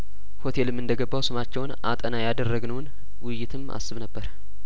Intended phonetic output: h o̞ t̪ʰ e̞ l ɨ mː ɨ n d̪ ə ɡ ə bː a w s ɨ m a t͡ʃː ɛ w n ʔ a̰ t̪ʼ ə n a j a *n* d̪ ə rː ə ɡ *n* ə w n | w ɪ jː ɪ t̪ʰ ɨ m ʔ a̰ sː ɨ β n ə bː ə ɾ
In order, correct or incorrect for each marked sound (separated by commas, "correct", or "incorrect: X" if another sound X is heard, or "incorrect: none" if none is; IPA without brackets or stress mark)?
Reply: incorrect: none, correct